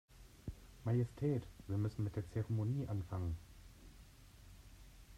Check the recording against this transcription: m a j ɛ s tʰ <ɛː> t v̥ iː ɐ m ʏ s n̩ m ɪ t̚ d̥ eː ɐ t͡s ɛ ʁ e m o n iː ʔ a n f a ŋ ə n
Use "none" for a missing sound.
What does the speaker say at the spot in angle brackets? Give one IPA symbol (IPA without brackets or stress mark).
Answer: ɛː